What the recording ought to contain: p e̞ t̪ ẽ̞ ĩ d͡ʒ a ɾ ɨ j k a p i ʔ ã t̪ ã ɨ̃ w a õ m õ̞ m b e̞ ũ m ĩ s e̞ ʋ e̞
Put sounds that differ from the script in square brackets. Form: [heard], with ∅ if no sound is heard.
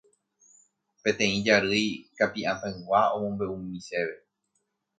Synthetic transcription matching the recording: p e̞ t̪ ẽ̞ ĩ d͡ʒ a ɾ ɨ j k a p i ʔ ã t̪ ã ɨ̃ w a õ m õ̞ m b e̞ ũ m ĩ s e̞ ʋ e̞